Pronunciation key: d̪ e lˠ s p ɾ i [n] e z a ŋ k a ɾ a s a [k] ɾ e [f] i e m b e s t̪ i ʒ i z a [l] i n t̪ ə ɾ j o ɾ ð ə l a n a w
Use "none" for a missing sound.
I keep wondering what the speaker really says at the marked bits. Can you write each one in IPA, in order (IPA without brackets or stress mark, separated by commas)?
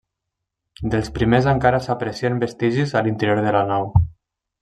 m, p, s, l